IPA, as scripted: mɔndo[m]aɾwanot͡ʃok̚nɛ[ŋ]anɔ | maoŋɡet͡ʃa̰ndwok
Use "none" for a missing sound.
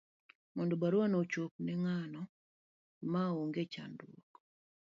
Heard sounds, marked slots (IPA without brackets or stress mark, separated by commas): b, ŋ